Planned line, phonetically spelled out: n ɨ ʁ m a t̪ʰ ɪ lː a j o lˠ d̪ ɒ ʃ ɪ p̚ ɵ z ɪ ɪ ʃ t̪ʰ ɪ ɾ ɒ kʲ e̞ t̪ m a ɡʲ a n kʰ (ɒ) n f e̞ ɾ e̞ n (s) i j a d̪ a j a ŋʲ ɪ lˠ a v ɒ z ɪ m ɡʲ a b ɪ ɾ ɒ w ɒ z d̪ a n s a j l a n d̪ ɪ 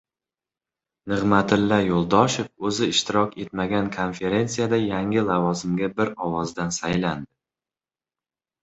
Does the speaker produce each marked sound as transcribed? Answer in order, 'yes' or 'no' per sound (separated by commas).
no, yes